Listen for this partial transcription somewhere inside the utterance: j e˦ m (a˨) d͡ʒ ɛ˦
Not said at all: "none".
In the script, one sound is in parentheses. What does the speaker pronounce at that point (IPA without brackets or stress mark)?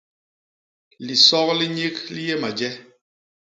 a˨